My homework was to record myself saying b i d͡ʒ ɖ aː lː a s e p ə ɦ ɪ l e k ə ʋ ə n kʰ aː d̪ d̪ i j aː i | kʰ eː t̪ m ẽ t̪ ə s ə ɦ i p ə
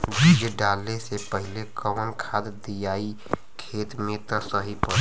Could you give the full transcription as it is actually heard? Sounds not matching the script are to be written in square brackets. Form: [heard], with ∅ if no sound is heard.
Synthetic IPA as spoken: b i d͡ʒ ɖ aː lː [e] s e p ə ɦ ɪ l e k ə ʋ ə n kʰ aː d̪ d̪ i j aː i | kʰ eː t̪ m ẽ t̪ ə s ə ɦ i p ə

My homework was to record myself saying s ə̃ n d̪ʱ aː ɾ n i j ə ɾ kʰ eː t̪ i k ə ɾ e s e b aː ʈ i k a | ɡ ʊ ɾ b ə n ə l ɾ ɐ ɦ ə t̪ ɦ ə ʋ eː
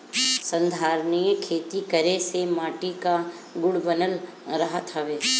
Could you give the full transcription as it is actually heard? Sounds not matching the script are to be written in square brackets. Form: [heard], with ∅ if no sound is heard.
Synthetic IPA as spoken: s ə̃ n d̪ʱ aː ɾ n i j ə [∅] kʰ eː t̪ i k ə ɾ e s e [m] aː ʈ i k a | ɡ ʊ [ɽ] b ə n ə l ɾ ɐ ɦ ə t̪ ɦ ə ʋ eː

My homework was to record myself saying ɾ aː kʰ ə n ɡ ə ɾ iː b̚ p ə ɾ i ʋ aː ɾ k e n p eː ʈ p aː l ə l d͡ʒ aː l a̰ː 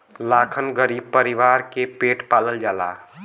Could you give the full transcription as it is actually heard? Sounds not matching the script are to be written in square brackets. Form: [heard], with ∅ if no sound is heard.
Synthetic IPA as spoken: [l] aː kʰ ə n ɡ ə ɾ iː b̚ p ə ɾ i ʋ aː ɾ k e [∅] p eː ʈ p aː l ə l d͡ʒ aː l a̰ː

